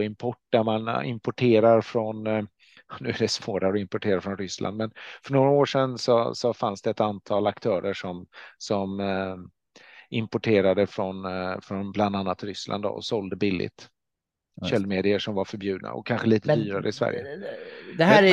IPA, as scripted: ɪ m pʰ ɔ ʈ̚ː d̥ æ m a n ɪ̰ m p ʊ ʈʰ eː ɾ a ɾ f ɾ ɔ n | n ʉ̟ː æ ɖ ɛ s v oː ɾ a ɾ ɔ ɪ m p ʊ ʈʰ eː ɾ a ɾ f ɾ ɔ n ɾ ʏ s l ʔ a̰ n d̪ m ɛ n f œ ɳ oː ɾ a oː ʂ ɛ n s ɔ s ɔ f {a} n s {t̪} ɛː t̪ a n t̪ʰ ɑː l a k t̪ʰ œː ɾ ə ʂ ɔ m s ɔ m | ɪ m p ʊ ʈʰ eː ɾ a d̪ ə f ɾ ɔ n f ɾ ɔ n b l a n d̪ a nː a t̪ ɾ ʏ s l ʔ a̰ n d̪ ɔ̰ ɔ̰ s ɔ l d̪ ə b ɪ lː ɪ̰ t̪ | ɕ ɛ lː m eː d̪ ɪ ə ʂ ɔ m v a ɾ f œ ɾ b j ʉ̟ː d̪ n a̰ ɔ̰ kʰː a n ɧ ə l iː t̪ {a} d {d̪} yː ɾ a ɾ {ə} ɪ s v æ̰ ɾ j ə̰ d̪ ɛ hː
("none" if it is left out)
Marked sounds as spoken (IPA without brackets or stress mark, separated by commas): a, d̪, ə, d̪, ə